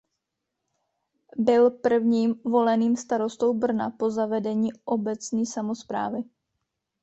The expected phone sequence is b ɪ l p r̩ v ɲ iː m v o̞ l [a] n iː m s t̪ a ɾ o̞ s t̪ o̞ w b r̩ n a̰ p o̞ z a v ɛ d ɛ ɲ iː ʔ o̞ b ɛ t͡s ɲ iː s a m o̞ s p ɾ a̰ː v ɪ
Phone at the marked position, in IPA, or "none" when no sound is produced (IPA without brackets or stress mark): ɛ